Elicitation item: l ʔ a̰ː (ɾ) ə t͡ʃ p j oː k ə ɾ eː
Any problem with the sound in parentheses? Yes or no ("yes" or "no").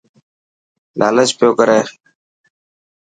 yes